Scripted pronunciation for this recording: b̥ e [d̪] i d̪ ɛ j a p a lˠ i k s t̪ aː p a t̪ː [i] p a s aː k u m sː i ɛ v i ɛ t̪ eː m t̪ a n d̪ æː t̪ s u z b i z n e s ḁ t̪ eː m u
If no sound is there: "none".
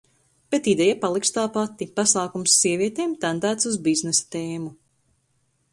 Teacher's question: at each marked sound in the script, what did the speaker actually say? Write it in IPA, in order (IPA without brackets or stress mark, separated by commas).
t̪, i